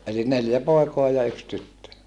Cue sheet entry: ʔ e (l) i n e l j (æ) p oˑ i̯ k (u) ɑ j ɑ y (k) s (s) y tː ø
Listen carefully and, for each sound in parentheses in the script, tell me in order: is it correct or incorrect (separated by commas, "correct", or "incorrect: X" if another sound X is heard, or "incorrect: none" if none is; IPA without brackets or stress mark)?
correct, correct, incorrect: o, correct, incorrect: t